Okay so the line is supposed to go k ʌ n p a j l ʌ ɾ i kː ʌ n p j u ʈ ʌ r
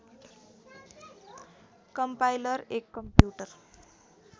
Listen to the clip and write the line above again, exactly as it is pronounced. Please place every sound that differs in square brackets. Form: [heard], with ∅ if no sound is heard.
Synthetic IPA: k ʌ [m] p a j l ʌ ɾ [e] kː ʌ [m] p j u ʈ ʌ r

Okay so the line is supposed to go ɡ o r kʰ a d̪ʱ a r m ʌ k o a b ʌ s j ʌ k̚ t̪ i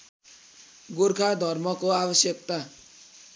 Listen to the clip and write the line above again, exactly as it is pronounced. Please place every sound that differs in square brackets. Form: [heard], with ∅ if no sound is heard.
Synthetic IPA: ɡ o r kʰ a d̪ʱ [ʌ] r m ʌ k o a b ʌ s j ʌ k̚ t̪ [a]

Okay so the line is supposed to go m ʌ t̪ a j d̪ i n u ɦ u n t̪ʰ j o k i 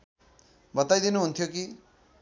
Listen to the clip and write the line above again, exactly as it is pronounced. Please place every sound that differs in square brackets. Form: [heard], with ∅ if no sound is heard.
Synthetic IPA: [b] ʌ t̪ a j d̪ i n u ɦ u n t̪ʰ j o k i

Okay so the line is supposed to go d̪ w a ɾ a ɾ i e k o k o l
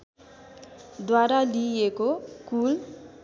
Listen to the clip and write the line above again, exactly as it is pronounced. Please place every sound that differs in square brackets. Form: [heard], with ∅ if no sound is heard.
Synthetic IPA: d̪ w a ɾ a [l] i e k o k [u] l

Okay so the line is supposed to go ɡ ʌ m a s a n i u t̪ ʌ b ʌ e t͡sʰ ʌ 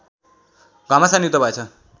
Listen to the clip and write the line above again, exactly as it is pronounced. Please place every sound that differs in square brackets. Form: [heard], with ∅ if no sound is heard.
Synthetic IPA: ɡ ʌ m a s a n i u t̪ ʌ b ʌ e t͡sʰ ʌ

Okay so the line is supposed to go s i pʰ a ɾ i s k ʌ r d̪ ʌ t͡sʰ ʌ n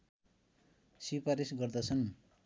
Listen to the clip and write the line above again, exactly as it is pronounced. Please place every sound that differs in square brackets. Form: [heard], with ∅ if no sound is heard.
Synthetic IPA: s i [p] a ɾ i s [ɡ] ʌ r d̪ ʌ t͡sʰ ʌ n

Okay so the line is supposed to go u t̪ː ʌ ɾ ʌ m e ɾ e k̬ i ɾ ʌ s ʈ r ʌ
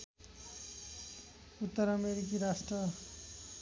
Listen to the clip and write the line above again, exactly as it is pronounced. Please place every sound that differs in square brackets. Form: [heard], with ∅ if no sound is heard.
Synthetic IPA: u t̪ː ʌ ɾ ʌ m e ɾ [i] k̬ i ɾ [a] s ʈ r ʌ

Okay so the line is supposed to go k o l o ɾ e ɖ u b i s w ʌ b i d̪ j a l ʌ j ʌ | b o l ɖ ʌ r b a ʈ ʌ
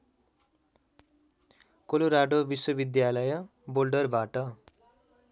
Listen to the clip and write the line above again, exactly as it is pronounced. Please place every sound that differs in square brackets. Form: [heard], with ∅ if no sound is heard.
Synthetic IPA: k o l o ɾ [a] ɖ [o] b i s w ʌ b i d̪ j a l ʌ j ʌ | b o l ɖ ʌ r b a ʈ ʌ

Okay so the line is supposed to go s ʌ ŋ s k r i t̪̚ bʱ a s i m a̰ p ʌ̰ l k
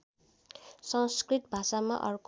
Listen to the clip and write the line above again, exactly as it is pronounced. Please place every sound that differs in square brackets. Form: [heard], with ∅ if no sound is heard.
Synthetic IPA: s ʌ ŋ s k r i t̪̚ bʱ a s [a] m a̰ [ʔ] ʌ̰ [r] k

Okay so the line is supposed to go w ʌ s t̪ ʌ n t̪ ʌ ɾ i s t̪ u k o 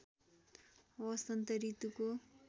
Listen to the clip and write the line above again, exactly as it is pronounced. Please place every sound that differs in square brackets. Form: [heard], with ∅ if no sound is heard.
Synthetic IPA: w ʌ s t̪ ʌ n t̪ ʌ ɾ i [∅] t̪ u k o

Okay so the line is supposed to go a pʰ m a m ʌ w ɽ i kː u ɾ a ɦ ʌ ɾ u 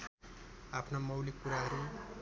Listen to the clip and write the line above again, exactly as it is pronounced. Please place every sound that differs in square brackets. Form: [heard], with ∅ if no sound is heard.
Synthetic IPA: a pʰ [n] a m ʌ w [l] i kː u ɾ a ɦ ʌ ɾ u

